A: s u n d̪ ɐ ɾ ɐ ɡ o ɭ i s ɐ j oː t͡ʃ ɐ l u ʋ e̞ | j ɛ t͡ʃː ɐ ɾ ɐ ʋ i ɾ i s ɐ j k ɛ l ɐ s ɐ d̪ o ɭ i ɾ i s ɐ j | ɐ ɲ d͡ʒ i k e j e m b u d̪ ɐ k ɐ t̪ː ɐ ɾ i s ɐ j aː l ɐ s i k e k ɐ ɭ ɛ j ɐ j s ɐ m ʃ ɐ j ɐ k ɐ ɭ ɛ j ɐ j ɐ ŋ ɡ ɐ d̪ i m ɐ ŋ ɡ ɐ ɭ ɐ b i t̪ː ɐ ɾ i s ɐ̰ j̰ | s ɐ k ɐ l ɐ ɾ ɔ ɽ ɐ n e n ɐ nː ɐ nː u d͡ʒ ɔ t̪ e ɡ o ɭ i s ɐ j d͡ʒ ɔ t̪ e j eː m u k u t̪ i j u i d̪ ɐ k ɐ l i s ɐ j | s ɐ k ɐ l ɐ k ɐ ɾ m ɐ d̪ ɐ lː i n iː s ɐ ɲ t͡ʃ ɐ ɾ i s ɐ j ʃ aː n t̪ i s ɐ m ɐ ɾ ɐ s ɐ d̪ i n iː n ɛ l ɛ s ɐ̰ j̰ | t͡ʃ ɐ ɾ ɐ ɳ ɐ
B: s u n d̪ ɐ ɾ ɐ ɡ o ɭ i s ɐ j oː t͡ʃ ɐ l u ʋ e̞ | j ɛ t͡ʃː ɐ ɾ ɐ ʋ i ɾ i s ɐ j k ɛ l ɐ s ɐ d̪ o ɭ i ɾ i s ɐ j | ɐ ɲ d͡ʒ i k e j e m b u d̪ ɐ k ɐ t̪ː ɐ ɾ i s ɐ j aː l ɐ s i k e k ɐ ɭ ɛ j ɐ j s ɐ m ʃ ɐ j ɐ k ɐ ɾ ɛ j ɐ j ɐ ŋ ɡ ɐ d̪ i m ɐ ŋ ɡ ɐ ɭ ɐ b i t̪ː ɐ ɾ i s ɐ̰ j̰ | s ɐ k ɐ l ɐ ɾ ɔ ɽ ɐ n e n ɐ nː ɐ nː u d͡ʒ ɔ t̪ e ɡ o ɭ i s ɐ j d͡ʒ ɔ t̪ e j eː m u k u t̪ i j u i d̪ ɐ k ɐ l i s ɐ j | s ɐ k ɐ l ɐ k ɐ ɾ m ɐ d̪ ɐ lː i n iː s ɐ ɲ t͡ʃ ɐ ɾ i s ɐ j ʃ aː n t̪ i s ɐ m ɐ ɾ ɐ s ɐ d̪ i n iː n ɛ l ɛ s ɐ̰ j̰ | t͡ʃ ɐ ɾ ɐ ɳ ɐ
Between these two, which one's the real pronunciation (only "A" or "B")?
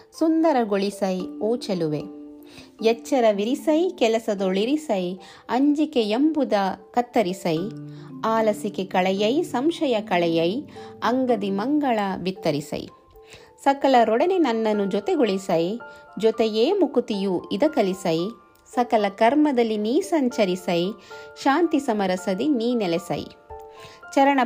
A